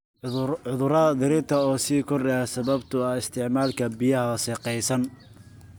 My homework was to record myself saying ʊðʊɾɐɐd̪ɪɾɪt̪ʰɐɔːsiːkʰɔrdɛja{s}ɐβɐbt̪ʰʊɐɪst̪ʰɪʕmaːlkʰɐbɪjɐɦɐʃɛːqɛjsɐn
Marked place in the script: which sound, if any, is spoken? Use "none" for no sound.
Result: s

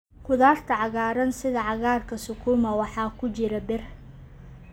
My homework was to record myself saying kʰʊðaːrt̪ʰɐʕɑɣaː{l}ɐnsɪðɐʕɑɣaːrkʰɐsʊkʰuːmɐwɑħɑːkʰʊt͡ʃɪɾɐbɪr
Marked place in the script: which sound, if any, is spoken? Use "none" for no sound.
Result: ɾ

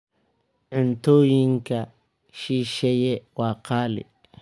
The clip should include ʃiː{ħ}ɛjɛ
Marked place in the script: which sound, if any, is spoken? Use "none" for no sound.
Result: ʃ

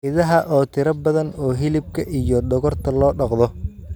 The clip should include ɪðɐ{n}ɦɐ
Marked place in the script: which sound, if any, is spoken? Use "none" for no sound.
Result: none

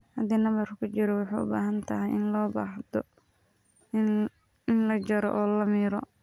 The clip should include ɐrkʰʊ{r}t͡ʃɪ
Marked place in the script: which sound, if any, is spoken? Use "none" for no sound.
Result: none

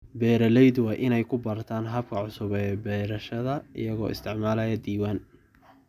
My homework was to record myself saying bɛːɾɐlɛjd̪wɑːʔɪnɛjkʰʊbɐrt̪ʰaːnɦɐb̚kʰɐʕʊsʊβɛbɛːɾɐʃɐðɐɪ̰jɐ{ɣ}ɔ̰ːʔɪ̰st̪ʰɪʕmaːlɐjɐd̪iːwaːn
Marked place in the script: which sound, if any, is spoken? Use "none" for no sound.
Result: ɣ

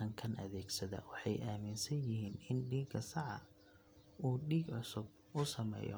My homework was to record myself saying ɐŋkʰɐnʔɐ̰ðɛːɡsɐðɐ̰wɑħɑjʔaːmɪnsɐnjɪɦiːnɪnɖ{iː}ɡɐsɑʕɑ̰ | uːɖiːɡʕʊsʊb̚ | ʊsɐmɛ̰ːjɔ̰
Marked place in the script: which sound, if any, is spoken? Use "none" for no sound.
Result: iː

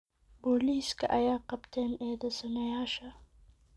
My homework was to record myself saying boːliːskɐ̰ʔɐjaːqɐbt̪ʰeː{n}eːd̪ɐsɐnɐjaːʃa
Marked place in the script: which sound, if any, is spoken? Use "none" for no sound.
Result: n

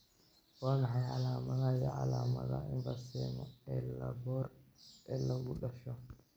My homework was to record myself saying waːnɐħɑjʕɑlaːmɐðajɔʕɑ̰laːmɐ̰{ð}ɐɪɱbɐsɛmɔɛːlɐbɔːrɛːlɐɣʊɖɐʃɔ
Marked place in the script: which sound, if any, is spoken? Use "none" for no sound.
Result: ð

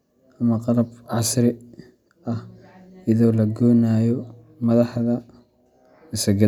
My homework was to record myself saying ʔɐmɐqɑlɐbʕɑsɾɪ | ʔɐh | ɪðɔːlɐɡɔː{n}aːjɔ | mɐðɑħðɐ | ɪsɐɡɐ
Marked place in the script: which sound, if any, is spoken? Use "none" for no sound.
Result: n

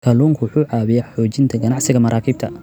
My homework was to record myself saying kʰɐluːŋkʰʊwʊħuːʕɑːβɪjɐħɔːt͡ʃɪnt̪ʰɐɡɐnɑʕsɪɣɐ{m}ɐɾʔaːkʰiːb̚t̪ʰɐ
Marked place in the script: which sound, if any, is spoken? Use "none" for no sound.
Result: m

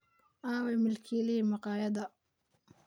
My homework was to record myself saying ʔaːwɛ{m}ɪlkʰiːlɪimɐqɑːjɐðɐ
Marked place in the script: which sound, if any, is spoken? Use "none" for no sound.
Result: m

